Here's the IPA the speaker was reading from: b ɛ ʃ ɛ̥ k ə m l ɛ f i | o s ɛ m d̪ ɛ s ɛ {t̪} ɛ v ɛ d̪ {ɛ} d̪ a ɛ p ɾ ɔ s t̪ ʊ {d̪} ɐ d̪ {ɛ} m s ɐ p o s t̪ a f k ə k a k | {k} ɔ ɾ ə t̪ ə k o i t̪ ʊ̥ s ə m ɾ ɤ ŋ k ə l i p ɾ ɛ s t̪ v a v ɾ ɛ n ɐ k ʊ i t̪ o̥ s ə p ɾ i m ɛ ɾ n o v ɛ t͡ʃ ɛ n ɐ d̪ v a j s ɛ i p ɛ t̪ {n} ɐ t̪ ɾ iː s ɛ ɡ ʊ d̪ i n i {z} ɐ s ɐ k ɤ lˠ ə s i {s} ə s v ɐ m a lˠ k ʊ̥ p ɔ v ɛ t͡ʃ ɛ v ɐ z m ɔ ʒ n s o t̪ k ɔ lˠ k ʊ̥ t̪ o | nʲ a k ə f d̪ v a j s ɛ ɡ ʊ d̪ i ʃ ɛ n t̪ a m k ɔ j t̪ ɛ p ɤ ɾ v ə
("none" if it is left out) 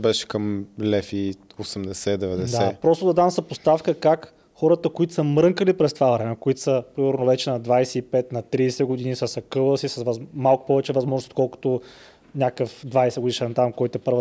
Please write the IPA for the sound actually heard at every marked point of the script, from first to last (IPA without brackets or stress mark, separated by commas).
d̪, ɛ, d̪, a, x, n, s, s